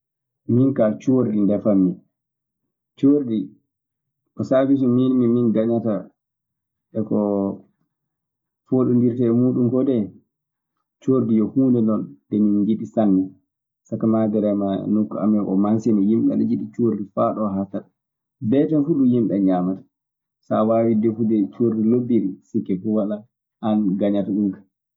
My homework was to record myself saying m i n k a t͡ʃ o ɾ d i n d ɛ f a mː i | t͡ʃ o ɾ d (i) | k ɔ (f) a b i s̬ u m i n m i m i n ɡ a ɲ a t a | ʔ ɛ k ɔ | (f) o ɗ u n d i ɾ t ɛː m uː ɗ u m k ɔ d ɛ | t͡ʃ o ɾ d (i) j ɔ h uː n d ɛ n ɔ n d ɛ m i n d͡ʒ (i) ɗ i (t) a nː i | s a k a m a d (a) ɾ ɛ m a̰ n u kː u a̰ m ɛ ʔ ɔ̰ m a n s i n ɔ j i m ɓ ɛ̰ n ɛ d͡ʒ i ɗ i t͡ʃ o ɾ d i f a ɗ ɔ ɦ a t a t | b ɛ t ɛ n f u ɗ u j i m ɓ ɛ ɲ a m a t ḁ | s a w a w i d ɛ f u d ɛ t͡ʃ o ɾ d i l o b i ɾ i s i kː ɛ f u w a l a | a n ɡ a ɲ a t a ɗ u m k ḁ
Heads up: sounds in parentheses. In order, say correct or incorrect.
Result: correct, incorrect: s, correct, correct, correct, incorrect: s, incorrect: ɛ

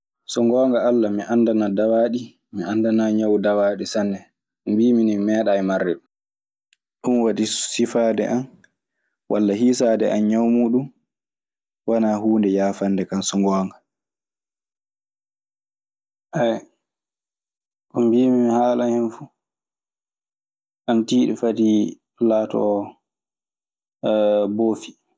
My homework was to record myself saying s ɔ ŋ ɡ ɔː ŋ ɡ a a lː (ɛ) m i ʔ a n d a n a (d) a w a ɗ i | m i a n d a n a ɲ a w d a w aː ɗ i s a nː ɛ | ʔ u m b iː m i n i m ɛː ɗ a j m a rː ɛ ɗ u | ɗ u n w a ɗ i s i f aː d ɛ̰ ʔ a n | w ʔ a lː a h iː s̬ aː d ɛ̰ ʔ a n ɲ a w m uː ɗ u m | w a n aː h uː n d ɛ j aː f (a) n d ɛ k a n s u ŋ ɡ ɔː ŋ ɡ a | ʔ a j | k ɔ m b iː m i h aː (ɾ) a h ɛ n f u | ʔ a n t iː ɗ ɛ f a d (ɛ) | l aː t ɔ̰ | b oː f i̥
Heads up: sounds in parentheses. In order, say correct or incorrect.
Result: incorrect: a, correct, correct, incorrect: l, incorrect: i

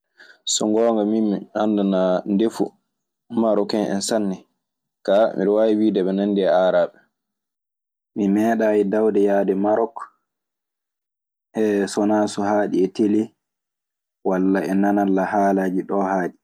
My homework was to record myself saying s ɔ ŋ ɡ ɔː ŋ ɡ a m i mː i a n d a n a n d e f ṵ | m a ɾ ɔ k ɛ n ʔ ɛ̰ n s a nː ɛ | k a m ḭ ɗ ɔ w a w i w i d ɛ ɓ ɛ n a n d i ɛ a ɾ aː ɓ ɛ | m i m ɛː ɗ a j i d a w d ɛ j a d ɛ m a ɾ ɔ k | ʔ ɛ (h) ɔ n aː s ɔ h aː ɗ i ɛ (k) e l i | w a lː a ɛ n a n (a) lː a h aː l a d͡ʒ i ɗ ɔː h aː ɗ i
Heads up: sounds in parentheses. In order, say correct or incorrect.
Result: incorrect: s, incorrect: t, correct

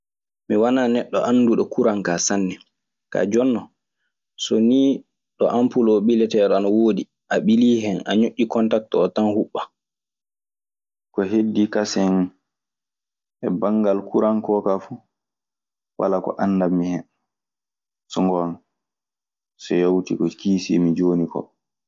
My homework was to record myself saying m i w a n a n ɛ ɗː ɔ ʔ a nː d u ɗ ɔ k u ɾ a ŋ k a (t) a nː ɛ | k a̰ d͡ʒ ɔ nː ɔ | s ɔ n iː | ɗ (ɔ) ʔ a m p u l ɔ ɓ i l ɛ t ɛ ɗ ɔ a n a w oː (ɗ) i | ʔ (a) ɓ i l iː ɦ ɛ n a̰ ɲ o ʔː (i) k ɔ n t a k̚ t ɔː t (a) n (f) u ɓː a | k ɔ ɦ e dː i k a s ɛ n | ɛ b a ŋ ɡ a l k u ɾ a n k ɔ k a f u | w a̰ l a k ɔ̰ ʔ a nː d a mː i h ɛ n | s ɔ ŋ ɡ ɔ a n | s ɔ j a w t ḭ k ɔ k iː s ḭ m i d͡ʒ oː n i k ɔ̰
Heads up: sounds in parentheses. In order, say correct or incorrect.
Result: incorrect: s, correct, incorrect: d, correct, correct, correct, incorrect: h

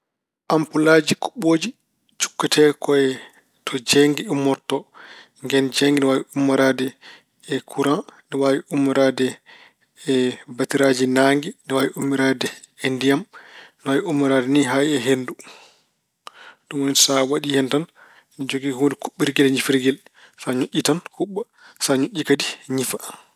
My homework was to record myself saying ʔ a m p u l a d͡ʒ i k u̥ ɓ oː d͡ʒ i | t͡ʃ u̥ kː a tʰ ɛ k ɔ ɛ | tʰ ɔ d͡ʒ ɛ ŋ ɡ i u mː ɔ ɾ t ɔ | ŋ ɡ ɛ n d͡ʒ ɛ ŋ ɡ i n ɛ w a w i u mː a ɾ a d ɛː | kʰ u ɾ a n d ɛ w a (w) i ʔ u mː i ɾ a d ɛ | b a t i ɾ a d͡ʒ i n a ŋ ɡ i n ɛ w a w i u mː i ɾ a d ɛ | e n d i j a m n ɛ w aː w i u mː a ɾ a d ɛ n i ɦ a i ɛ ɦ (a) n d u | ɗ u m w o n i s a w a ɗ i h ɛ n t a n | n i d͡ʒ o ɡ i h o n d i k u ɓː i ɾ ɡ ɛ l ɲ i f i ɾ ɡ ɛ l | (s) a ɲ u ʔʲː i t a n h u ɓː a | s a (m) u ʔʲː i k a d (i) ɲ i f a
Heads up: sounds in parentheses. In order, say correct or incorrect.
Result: correct, incorrect: e, correct, incorrect: ɲ, correct

